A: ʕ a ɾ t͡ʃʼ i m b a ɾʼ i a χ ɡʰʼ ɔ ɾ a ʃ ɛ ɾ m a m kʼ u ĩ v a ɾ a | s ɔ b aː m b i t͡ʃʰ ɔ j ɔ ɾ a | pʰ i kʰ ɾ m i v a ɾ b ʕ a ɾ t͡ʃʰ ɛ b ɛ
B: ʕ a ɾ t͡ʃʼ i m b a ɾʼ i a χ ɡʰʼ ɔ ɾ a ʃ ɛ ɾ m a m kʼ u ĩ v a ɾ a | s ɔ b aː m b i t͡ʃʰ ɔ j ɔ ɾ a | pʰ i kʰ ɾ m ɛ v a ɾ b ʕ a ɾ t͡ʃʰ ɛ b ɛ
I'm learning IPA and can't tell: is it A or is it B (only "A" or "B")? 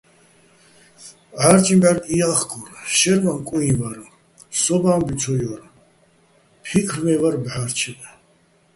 B